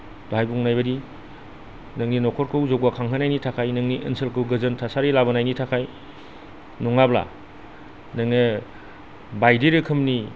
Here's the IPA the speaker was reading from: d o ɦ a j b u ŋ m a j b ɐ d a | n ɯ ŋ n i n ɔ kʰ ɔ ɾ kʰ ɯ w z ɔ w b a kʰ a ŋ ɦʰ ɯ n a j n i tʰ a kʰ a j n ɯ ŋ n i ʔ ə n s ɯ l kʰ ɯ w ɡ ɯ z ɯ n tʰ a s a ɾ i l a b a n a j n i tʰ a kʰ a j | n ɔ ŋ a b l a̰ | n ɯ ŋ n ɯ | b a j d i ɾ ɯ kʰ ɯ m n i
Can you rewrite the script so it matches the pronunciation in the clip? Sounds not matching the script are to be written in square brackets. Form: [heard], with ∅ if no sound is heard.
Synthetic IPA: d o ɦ a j b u ŋ [n] a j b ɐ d [i] | n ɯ ŋ n i n ɔ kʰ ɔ ɾ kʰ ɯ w z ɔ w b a kʰ a ŋ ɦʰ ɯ n a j n i tʰ a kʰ a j n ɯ ŋ n i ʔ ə n s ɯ l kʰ ɯ w ɡ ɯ z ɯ n tʰ a s a ɾ i l a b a n a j n i tʰ a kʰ a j | n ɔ ŋ a b l a̰ | n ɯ ŋ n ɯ | b a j d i ɾ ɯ kʰ ɯ m n i

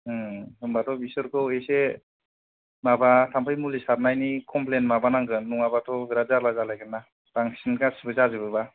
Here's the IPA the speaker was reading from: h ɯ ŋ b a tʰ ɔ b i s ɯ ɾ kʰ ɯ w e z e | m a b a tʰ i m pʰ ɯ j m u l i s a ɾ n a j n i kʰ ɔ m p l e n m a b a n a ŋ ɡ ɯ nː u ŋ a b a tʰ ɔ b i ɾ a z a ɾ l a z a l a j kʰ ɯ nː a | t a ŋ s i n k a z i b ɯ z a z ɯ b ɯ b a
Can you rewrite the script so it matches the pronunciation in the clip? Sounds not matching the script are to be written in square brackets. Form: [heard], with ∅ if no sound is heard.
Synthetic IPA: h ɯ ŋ b a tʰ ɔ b i s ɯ ɾ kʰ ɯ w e [s] e | m a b a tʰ [a] m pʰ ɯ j m u l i s a ɾ n a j n i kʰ ɔ m p l e n m a b a n a ŋ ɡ ɯ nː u ŋ a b a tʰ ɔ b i ɾ a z a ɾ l a z a l a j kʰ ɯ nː a | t a ŋ s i n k a [s] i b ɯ z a z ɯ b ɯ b a

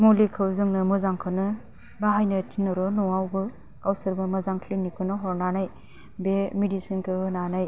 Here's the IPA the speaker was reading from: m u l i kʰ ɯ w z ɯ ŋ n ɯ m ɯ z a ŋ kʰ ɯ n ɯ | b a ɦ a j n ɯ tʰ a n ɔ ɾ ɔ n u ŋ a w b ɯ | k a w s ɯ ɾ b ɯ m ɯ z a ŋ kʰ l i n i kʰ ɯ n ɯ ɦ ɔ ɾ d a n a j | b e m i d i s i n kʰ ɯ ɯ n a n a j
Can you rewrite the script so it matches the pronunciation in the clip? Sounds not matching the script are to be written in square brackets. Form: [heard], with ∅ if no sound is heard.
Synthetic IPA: m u l i kʰ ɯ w z ɯ ŋ n ɯ m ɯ z a ŋ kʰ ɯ n ɯ | b a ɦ a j n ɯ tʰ [i] n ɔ ɾ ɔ n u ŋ a w b ɯ | k a w s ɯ ɾ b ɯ m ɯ z a ŋ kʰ l i n i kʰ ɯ n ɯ ɦ ɔ ɾ [n] a n a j | b e m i d i s i n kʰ ɯ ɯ n a n a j

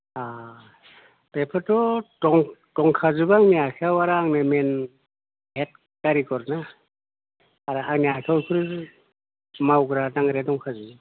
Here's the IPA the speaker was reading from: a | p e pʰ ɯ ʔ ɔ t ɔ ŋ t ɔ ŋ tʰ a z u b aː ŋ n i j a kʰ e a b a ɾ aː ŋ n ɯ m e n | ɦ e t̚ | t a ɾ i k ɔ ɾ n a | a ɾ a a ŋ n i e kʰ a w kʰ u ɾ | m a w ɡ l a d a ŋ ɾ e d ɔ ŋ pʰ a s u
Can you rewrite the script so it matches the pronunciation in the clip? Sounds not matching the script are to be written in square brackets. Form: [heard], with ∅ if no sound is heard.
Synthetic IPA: a | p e pʰ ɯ [t] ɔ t ɔ ŋ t ɔ ŋ [kʰ] a z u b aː ŋ n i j a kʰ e a [w] a ɾ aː ŋ n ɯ m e n | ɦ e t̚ | [k] a ɾ i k ɔ ɾ n a | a ɾ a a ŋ n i [a] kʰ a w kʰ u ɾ | m a w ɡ [ɾ] a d a ŋ ɾ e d ɔ ŋ [kʰ] a [z] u

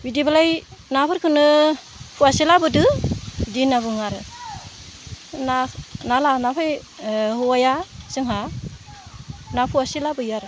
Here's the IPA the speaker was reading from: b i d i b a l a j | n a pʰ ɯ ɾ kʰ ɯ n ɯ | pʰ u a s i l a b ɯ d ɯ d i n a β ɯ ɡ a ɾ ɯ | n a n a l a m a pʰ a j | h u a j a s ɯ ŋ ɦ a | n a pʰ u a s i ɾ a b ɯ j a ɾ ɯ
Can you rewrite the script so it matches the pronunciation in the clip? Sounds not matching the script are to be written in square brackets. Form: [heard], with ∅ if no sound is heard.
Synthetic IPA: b i d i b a l a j | n a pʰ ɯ ɾ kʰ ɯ n ɯ | pʰ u a s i l a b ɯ d ɯ d i n a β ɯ [ŋ] a ɾ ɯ | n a n a l a [n] a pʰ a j | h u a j a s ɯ ŋ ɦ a | n a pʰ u a s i [l] a b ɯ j a ɾ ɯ

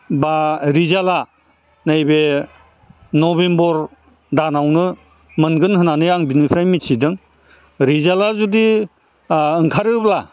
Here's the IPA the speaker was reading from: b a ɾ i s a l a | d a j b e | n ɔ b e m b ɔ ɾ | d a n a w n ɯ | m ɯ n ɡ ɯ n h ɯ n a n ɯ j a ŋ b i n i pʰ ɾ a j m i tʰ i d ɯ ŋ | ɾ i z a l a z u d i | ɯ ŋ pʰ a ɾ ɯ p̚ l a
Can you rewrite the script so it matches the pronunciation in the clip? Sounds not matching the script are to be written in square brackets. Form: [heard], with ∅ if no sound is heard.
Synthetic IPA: b a ɾ i [z] a l a | [n] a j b e | n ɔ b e m b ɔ ɾ | d a n a w n ɯ | m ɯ n ɡ ɯ n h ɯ n a n ɯ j a ŋ b i n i pʰ ɾ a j m i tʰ i d ɯ ŋ | ɾ i z a l a z u d i | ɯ ŋ [kʰ] a ɾ ɯ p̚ l a

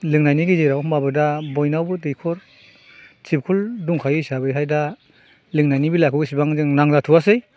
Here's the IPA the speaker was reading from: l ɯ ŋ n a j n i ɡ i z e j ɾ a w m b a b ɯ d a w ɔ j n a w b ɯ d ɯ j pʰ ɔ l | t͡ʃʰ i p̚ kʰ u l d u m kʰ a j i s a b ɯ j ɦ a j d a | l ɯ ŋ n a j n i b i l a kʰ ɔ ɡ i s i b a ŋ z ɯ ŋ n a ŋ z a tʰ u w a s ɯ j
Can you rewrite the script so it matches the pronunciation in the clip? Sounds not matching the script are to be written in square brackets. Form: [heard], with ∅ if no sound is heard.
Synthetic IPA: l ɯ ŋ n a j n i ɡ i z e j ɾ a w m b a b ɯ d a [b] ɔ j n a w b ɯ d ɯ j [kʰ] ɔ [ɾ] | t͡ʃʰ i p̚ kʰ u l d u [ŋ] kʰ a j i s a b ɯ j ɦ a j d a | l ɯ ŋ n a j n i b i l a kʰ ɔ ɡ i s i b a ŋ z ɯ ŋ n a ŋ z a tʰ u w a s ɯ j

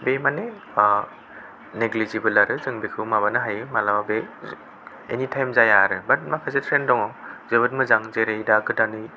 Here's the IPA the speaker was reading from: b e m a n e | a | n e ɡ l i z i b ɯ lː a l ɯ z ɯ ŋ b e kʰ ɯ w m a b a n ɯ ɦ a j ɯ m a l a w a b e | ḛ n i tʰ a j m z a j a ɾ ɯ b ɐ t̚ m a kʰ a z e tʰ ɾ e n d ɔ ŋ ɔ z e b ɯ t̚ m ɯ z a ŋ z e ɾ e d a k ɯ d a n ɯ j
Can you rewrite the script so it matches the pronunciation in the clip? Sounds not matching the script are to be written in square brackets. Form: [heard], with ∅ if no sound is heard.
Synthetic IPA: b e m a n e | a | n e ɡ l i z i b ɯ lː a [ɾ] ɯ z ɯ ŋ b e kʰ ɯ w m a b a n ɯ ɦ a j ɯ m a l a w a b e | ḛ n i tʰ a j m z a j a ɾ ɯ b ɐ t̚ m a kʰ a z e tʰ ɾ e n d ɔ ŋ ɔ z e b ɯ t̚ m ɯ z a ŋ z e ɾ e d a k ɯ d a n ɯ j

